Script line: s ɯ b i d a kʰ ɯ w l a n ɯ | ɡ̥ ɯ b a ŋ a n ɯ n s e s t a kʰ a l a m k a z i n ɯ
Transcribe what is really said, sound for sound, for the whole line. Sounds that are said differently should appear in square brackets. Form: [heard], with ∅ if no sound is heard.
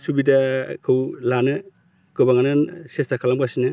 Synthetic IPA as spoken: s [u] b i d a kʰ ɯ w l a n ɯ | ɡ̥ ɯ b a ŋ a n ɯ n s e s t a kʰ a l a m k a [s] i n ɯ